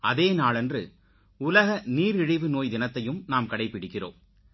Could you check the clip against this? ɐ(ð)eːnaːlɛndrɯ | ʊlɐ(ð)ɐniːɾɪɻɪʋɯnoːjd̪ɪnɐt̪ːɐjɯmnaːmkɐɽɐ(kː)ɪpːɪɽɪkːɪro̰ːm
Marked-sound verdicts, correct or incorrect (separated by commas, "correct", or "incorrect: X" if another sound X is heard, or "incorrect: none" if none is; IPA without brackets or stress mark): correct, incorrect: ɣ, incorrect: none